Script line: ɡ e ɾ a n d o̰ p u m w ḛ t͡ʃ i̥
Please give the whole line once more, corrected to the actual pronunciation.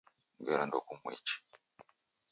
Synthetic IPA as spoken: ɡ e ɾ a n d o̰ k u m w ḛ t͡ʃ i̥